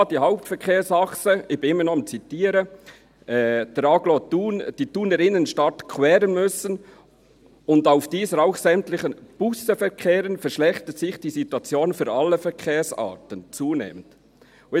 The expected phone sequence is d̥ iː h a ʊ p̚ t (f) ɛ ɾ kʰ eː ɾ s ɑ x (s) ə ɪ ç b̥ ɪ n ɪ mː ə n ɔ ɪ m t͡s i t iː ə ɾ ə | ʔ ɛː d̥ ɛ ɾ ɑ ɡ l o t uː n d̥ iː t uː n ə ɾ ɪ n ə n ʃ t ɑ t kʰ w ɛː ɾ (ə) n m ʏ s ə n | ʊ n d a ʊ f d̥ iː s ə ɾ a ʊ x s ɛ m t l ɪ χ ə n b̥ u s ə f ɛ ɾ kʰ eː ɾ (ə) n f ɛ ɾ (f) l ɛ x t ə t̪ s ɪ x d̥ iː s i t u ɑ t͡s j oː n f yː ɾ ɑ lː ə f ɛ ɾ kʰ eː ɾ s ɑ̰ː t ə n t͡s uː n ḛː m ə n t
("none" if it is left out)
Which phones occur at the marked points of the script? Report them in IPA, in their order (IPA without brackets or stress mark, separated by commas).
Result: f, s, ə, ə, ʃ